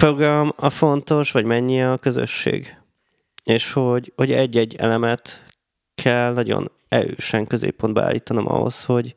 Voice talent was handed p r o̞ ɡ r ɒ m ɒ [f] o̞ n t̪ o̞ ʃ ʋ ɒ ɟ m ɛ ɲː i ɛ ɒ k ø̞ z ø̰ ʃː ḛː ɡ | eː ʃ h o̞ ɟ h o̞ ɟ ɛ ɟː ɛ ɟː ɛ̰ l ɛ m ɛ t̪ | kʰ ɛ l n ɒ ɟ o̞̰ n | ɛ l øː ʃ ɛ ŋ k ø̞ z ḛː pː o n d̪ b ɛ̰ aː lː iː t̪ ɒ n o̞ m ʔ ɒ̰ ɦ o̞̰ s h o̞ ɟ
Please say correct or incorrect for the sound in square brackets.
correct